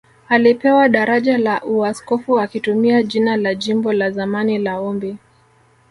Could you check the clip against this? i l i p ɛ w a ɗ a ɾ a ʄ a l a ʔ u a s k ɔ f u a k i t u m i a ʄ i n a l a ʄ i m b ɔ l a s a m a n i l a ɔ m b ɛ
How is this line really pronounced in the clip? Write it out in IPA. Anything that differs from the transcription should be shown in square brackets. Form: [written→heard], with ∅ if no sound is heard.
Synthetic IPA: [i→a] l i p ɛ w a ɗ a ɾ a ʄ a l a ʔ u a s k ɔ f u a k i t u m i a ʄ i n a l a ʄ i m b ɔ l a [s→z] a m a n i l a ɔ m b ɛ